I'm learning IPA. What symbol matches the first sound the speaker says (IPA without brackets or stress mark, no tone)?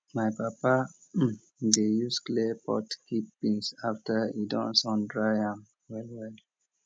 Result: m